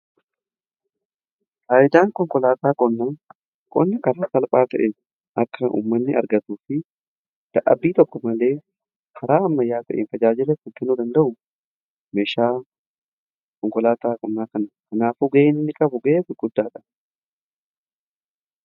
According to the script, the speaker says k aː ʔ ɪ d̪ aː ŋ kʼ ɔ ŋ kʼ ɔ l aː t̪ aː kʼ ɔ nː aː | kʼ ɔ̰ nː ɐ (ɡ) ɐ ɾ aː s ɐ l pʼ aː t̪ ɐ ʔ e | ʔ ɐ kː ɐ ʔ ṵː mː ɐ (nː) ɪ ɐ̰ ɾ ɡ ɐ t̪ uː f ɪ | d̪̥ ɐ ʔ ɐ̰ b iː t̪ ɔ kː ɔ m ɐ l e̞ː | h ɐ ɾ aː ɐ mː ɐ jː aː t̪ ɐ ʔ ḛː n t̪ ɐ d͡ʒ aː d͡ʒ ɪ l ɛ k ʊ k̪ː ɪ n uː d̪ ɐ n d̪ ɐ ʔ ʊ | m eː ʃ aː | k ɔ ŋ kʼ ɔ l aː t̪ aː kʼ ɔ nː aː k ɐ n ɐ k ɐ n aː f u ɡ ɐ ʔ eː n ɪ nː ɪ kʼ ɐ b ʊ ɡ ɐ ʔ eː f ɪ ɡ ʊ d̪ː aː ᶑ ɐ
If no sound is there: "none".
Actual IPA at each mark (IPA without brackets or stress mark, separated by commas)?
k, nː